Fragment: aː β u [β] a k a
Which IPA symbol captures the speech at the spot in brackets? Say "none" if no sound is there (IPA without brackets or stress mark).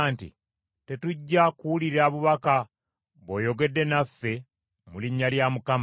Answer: β